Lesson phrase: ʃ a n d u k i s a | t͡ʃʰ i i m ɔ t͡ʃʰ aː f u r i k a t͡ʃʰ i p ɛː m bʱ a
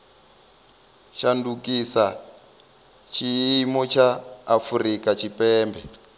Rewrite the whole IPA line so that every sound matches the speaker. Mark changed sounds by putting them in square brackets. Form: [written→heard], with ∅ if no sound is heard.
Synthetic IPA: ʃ a n d u k i s a | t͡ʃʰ i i m ɔ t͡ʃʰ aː f u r i k a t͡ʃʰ i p ɛː m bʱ [a→ɛ]